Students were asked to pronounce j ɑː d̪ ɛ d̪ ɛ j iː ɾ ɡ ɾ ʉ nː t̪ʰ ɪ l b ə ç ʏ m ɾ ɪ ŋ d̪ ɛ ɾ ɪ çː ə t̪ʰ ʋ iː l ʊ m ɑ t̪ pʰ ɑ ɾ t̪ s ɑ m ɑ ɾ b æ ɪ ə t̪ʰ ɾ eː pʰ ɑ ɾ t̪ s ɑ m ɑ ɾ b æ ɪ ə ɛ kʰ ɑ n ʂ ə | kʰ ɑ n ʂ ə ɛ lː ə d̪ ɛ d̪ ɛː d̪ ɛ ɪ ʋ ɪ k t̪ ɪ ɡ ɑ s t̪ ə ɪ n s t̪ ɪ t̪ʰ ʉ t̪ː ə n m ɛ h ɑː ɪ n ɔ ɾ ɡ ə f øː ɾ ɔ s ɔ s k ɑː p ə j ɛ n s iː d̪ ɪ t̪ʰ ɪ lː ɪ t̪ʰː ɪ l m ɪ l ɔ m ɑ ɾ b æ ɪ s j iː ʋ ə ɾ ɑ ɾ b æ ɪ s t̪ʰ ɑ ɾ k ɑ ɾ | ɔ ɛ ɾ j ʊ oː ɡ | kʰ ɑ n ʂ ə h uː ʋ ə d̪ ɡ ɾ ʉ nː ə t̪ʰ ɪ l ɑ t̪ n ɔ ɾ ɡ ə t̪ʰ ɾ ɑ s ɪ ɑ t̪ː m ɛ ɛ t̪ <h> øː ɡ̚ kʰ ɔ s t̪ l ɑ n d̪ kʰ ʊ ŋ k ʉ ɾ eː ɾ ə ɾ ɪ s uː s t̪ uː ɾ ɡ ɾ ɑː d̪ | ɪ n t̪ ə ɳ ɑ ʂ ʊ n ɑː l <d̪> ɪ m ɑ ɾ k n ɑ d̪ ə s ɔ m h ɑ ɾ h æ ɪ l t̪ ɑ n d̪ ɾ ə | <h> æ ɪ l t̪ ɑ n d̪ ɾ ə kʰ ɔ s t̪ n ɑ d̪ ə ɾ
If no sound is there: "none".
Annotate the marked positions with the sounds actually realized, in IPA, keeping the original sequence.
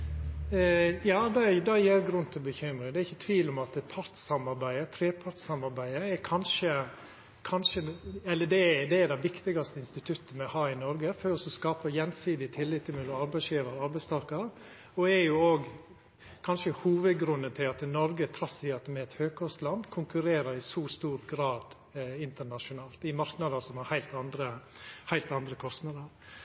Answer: h, t̪, h

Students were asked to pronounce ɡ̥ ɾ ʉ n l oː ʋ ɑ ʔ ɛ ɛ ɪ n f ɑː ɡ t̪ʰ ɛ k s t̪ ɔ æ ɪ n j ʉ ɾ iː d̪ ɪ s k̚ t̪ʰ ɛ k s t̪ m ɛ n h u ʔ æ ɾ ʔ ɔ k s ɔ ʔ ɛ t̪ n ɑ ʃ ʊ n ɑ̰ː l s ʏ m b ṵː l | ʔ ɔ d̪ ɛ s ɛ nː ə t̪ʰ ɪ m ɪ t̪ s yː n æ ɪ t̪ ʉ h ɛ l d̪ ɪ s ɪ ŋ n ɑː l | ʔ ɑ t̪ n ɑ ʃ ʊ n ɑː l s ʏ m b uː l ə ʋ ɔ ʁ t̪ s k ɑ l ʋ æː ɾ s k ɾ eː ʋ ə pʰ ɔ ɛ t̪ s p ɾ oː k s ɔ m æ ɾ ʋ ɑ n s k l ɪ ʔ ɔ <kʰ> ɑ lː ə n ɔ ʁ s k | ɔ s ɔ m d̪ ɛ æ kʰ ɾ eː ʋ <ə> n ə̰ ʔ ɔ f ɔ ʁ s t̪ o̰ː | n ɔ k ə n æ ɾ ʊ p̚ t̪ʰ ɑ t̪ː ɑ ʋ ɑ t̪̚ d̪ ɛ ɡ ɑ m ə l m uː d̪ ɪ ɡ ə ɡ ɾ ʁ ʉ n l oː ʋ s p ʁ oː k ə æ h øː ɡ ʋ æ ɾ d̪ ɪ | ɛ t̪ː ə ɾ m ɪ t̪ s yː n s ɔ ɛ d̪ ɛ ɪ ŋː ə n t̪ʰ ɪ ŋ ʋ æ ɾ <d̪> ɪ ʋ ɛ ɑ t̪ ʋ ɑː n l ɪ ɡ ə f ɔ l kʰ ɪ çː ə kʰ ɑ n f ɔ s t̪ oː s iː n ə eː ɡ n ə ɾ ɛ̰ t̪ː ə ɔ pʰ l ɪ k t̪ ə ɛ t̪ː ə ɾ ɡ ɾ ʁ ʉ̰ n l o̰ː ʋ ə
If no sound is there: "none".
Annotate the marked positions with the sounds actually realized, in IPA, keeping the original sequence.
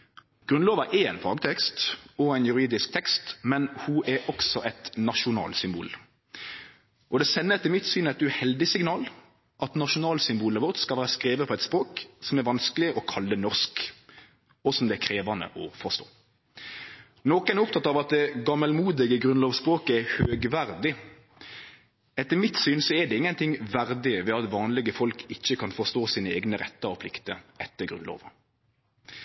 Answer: kʰ, ɑ, d̪

